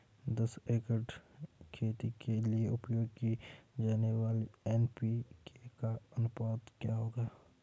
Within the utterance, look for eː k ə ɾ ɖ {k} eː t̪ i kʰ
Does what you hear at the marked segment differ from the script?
yes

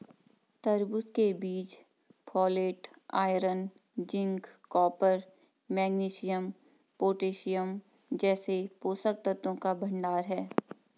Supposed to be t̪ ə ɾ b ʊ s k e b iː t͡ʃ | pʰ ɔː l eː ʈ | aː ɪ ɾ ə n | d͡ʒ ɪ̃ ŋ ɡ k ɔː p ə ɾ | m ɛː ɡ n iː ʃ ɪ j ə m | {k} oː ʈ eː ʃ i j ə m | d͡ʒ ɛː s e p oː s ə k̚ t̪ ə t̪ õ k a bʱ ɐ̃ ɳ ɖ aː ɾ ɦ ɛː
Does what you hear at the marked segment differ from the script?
yes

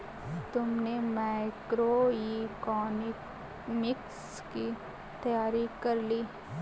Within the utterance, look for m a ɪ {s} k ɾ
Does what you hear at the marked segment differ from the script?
yes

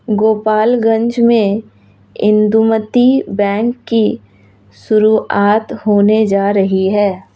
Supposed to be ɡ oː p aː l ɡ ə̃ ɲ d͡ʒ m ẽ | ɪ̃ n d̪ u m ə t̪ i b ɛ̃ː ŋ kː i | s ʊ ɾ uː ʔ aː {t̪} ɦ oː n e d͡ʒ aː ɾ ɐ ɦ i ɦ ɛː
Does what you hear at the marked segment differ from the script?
no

